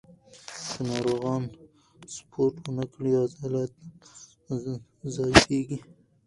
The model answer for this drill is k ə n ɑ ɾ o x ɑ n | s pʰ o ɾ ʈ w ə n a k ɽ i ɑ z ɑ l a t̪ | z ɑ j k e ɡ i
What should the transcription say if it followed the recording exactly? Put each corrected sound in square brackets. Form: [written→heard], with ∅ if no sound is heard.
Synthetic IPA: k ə n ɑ ɾ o [x→ɣ] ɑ n | s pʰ o ɾ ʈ w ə n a k ɽ i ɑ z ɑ l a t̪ | z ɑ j k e ɡ i

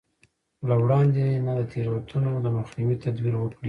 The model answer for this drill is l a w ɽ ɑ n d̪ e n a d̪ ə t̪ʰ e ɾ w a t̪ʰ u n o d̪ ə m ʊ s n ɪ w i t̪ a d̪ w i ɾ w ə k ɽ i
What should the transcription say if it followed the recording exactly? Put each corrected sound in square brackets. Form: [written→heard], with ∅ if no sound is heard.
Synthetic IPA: l a w ɽ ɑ n d̪ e n a d̪ ə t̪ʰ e ɾ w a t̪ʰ u n o d̪ ə m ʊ [s→x] n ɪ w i t̪ a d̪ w i ɾ w ə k ɽ i

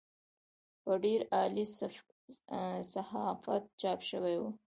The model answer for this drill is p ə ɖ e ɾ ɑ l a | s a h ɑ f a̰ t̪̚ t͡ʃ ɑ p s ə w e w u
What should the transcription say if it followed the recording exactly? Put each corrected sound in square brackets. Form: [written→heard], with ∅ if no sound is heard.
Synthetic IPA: p ə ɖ e ɾ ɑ l [a→i] | s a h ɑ f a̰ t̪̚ t͡ʃ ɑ p [s→ʃ] ə w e w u

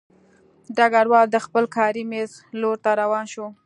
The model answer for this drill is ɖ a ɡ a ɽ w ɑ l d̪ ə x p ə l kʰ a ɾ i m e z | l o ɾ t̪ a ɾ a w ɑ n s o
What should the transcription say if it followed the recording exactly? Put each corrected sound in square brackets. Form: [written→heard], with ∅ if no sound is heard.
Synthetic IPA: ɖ a ɡ a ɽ w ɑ l d̪ ə x p ə l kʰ [a→ɑ] ɾ i m e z | l o ɾ t̪ a ɾ a w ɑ n [s→ʃ] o

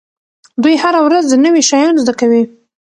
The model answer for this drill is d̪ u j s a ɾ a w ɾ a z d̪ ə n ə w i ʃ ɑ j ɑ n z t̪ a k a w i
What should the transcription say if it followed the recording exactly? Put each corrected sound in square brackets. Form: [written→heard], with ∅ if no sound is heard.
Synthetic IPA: d̪ u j [s→h] a ɾ a w ɾ a z d̪ ə n ə w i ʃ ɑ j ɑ n z [t̪→d̪] a k a w i

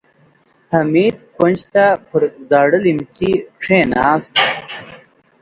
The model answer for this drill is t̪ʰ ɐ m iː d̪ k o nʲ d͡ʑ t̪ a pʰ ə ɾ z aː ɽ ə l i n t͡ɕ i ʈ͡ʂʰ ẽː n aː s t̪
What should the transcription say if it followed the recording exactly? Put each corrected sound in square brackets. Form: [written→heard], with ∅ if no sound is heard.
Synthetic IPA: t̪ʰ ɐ m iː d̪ k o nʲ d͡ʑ t̪ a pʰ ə ɾ z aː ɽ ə l i [n→m] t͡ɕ i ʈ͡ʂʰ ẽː n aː s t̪

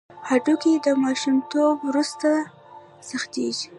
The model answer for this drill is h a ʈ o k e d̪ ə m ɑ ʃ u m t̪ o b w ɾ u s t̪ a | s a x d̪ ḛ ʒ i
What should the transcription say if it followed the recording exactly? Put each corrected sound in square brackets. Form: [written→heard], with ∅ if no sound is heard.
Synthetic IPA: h a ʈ [o→u] k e d̪ ə m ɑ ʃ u m t̪ o b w ɾ u s t̪ a | s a x [d̪→t̪] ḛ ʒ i

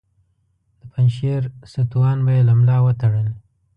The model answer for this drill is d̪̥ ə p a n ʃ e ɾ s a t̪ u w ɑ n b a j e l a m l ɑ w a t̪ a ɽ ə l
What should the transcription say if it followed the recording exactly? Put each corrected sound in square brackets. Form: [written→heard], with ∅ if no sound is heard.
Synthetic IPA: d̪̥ ə p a n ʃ e ɾ s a t̪ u w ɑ n b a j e l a m l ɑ w [a→ə] t̪ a ɽ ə l

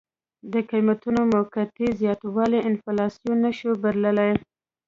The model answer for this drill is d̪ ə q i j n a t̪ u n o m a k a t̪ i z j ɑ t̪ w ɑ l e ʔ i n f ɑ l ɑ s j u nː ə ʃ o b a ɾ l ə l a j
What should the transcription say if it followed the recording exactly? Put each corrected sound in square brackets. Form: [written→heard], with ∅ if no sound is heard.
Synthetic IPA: d̪ ə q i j [n→m] a t̪ u n o m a k a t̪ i z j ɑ t̪ w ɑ l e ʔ [i→ɪ] n f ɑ l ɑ s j u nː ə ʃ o b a ɾ l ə l a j

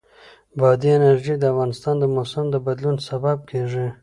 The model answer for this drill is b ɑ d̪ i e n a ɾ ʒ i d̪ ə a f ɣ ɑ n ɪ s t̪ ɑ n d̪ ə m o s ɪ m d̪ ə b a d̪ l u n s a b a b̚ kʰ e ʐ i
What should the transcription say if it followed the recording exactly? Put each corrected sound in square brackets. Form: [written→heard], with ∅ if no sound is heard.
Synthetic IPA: b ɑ d̪ i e n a ɾ ʒ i d̪ ə a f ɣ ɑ n ɪ s t̪ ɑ n d̪ ə m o s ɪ m d̪ ə b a d̪ l u n s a b a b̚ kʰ e ʐ i

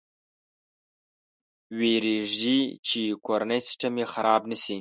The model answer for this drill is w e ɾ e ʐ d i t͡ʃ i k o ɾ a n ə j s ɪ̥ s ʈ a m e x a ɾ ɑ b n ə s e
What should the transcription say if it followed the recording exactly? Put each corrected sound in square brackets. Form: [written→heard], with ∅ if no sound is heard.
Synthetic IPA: w e ɾ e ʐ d i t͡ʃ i k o ɾ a n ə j s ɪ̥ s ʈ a m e x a ɾ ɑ b n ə s [e→i]

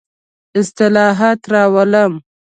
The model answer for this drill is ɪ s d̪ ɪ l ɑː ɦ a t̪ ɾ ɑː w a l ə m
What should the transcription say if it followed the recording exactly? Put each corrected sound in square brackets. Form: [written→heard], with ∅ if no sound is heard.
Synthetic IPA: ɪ s [d̪→t̪] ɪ l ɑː ɦ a t̪ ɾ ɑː w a l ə m

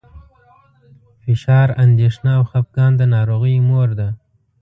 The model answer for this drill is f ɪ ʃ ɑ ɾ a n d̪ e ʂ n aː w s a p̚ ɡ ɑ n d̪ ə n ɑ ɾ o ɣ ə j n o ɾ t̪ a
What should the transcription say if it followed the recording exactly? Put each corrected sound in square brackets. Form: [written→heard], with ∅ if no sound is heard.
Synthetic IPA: f ɪ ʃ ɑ ɾ a n d̪ e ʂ n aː w [s→x] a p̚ ɡ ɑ n d̪ ə n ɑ ɾ o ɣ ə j [n→m] o ɾ [t̪→d̪] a

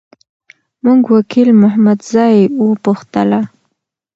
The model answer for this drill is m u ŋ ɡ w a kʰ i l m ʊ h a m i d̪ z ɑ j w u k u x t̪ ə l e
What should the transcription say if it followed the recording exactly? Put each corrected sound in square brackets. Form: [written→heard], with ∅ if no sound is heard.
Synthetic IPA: m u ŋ ɡ w a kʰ i l m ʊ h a m [i→a] d̪ z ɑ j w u [k→p] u x t̪ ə l [e→a]

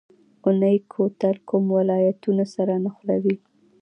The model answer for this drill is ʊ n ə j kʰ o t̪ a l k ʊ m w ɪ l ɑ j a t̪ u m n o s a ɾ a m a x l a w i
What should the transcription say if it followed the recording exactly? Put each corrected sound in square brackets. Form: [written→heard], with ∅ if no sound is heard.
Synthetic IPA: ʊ n ə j kʰ o t̪ a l k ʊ m w ɪ l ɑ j a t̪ u [m→∅] n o s a ɾ a [m→n] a x l a w i

